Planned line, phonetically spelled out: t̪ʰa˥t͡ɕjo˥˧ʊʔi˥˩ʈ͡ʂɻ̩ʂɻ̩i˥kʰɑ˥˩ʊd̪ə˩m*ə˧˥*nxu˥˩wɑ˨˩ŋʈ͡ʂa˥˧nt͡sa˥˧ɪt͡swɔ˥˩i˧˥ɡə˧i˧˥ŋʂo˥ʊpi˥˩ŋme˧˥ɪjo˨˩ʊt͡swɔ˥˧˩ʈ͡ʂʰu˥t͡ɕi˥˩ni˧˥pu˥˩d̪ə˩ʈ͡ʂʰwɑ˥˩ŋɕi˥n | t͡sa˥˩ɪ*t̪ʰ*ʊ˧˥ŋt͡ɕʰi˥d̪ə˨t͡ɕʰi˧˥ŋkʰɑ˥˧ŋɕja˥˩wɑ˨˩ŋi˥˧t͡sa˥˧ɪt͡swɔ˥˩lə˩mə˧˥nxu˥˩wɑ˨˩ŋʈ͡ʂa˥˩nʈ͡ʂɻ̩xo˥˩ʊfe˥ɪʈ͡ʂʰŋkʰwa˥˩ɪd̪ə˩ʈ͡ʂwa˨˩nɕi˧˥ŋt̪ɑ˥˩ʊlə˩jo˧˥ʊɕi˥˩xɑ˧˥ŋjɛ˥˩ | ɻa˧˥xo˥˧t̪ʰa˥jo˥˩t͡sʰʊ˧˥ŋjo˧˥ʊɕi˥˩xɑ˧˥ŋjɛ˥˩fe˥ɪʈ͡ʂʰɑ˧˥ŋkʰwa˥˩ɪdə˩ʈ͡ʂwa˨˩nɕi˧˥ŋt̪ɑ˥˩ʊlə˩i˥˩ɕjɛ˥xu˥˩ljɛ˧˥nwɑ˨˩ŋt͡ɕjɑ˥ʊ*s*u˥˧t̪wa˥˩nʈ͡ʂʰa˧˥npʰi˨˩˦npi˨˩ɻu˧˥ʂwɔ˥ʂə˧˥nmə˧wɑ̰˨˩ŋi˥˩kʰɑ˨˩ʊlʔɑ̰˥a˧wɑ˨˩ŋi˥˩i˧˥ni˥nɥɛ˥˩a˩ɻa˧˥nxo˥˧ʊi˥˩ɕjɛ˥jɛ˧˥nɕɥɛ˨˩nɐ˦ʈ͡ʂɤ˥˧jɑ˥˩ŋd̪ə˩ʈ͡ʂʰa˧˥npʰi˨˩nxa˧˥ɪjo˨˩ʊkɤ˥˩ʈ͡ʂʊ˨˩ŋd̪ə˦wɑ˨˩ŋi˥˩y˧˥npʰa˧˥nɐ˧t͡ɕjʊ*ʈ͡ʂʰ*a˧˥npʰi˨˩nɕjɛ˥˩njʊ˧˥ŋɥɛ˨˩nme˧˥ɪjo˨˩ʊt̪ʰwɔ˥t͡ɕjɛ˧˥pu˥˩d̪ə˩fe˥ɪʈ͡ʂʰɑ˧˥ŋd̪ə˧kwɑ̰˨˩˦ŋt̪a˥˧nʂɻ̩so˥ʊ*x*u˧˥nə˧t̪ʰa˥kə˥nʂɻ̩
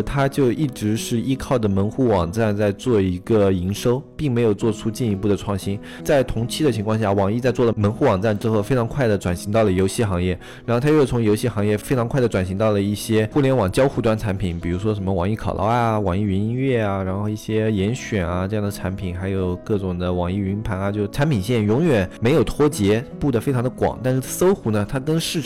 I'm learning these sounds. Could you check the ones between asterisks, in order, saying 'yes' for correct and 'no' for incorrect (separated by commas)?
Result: yes, yes, no, yes, yes